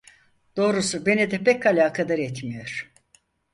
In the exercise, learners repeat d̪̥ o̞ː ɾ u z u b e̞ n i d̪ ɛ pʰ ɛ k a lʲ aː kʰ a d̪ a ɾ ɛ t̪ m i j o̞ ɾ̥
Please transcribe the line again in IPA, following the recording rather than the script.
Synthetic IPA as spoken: d̪̥ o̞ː ɾ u s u b e̞ n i d̪ ɛ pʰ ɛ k a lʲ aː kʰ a d̪ a ɾ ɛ t̪ m i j o̞ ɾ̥